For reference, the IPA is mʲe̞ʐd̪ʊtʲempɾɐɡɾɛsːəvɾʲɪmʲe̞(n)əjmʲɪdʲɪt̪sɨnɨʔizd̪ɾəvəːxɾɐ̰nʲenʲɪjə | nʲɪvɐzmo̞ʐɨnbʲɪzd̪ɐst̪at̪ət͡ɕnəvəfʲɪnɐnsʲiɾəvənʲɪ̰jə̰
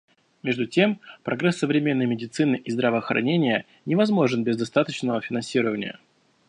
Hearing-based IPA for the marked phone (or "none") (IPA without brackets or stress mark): nː